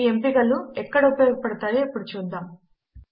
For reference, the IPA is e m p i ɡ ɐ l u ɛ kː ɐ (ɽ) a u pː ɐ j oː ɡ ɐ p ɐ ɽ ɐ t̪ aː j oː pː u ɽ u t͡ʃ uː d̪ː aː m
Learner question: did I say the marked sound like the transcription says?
yes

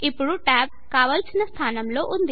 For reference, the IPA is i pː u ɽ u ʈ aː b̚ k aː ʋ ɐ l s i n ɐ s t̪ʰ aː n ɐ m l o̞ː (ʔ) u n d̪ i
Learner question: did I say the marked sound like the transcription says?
yes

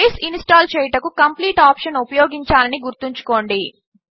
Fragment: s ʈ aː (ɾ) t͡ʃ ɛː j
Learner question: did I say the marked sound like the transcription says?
no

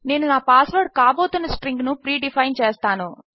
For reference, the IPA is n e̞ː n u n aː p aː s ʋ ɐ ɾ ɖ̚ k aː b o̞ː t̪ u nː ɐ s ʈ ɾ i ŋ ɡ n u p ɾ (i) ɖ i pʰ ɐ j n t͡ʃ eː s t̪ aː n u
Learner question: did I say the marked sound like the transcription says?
no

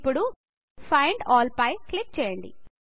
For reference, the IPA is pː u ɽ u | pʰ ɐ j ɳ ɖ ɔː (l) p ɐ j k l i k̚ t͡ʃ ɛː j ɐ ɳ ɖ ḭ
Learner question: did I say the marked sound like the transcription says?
yes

